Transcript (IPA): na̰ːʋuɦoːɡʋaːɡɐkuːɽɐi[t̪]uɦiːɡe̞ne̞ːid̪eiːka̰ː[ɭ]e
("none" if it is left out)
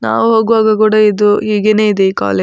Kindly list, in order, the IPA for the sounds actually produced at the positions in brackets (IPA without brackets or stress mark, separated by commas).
d̪, l